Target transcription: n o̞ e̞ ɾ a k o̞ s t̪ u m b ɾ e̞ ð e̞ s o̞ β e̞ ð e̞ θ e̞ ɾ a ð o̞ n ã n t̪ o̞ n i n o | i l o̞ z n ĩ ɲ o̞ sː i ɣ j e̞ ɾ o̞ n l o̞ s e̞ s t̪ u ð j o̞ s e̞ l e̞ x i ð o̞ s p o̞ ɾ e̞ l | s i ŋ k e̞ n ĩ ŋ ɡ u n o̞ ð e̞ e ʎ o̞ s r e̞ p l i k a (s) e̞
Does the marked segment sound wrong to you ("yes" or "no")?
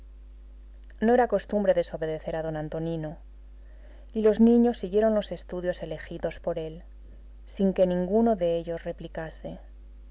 no